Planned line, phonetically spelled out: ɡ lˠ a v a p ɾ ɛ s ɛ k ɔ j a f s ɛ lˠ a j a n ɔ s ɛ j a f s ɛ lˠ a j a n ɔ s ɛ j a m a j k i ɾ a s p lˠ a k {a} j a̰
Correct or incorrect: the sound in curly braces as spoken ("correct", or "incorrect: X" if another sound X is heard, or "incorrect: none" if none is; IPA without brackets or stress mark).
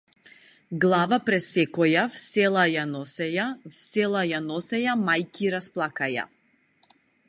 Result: correct